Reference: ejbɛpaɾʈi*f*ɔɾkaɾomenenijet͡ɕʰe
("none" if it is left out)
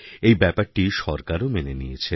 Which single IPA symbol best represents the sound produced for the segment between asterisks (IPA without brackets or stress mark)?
ʃ